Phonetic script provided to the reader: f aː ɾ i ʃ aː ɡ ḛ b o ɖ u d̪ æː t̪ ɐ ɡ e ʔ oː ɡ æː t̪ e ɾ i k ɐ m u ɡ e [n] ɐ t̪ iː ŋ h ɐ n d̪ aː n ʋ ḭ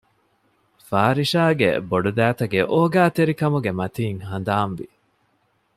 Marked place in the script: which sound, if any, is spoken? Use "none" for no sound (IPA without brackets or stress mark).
m